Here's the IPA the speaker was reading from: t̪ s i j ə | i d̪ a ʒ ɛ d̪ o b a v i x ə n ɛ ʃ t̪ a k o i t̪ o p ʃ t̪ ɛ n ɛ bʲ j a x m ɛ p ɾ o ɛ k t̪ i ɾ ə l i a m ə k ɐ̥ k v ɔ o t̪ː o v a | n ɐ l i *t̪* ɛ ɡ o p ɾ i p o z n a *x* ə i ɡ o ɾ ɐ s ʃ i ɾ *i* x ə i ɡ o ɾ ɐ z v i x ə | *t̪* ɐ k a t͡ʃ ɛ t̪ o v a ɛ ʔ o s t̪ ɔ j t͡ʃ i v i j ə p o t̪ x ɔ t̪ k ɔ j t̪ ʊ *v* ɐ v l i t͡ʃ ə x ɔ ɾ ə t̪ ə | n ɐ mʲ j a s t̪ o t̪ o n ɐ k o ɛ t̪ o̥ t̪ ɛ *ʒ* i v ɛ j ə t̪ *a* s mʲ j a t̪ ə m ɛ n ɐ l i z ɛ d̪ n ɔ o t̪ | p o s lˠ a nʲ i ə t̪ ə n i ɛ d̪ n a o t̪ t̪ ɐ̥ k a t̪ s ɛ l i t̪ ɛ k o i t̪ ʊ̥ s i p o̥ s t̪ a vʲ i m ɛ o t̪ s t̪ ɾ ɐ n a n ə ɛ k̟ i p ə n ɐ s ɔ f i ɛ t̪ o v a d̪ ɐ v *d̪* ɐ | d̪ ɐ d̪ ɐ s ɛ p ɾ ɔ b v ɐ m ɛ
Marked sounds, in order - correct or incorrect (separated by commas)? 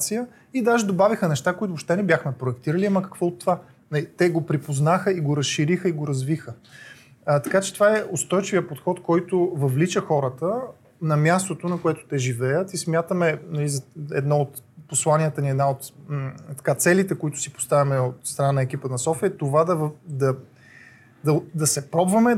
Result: correct, correct, correct, correct, correct, correct, incorrect, correct